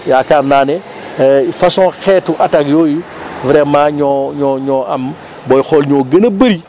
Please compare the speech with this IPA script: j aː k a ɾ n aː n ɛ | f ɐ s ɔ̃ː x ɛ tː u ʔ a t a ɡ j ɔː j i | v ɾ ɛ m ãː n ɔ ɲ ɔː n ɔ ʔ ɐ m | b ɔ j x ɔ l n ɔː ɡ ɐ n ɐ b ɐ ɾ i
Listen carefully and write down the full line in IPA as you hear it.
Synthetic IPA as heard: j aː k a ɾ n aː n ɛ | f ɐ s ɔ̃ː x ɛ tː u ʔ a t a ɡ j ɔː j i | v ɾ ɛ m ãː ɲ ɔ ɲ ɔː ɲ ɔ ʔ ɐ m | b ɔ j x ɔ l ɲ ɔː ɡ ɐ n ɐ b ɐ ɾ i